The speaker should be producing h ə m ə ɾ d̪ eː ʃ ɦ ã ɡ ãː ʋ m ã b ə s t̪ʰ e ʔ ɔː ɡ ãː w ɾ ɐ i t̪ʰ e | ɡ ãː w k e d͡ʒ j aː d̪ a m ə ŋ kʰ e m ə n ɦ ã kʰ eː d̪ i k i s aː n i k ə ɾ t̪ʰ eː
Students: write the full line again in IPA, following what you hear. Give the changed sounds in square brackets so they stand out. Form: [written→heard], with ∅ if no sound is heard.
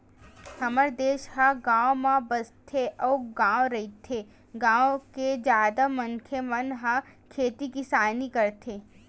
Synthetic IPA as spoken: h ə m ə ɾ d̪ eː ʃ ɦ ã ɡ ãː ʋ m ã b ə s t̪ʰ e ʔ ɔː ɡ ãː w ɾ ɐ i t̪ʰ e | ɡ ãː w k e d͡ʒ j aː d̪ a m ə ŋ kʰ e m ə n ɦ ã kʰ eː [d̪→t̪] i k i s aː n i k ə ɾ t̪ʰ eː